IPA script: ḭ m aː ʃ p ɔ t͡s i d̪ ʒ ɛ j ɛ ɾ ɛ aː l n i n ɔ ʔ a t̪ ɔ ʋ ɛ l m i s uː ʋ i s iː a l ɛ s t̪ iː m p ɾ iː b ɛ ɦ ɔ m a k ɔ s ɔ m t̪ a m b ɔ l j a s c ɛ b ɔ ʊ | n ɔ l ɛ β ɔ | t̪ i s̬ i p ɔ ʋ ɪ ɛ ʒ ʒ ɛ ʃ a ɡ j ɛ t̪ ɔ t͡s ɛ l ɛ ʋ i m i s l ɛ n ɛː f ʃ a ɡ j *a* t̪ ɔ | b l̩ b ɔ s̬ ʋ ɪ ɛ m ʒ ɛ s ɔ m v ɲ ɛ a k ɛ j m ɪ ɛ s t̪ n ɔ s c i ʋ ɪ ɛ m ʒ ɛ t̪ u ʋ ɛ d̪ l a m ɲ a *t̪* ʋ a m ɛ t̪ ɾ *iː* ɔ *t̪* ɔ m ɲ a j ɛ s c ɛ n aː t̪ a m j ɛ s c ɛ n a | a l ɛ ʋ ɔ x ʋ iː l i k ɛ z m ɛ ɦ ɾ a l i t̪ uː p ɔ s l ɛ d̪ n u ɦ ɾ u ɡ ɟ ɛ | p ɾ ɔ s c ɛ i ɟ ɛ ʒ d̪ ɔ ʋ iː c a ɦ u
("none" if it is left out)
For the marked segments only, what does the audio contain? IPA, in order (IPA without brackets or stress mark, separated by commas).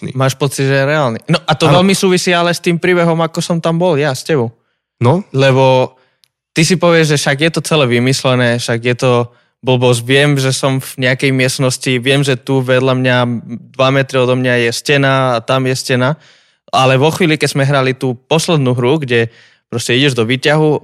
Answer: ɛ, d̪, i, d̪